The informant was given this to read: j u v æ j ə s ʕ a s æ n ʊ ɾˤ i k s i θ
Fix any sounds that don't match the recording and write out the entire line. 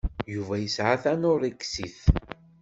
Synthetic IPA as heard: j u v æ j ə s ʕ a θ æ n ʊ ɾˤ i k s i θ

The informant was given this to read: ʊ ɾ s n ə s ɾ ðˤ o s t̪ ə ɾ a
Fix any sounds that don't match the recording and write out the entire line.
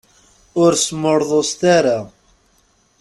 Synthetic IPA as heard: ʊ ɾ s m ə ɾ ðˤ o s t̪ a ɾ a

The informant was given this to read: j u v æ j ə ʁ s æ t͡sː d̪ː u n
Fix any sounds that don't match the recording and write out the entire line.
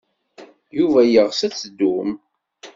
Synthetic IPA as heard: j u v æ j ə ʁ s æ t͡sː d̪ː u m

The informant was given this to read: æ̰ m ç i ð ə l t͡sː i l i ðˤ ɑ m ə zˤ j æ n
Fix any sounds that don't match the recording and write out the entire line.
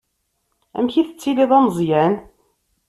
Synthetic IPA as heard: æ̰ m ç i θ ə t͡sː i l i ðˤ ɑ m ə zˤ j æ n

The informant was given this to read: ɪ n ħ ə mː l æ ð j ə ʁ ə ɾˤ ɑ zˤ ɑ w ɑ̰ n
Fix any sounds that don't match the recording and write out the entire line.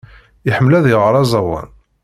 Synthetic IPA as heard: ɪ ħ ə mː l æ ð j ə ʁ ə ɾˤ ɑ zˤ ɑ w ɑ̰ n

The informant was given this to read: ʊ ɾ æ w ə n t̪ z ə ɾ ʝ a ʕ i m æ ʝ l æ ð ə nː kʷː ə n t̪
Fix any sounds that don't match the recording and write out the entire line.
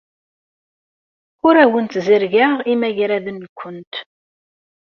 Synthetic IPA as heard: ʊ ɾ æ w ə n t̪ z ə ɾ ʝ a ʁ i m æ ʝ ɾ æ ð ə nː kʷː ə n t̪

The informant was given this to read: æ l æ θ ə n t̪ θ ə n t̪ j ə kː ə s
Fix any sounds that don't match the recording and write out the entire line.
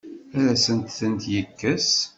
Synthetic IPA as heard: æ ɾ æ s ə n t̪ θ ə n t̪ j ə kː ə s

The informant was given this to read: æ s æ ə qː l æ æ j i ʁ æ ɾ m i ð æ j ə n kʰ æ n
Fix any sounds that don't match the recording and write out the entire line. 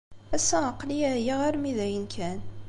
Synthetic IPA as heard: æ s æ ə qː l i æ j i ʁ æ ɾ m i ð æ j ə n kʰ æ n

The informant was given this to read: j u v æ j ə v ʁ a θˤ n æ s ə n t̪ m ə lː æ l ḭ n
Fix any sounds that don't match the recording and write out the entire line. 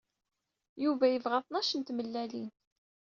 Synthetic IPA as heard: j u v æ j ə v ʁ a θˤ n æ ʃ ə n t̪ m ə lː æ l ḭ n

